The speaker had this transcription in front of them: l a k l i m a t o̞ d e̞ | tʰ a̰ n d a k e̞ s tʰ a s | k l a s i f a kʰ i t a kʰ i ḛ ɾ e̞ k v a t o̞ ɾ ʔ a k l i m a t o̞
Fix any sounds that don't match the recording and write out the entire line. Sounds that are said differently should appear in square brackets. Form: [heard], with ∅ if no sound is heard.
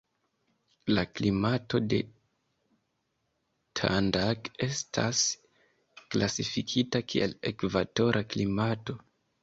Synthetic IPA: l a k l i m a t o̞ d e̞ | tʰ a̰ n d a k e̞ s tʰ a s | k l a s i f [i] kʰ i t a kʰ i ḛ [l] e̞ k v a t o̞ ɾ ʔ a k l i m a t o̞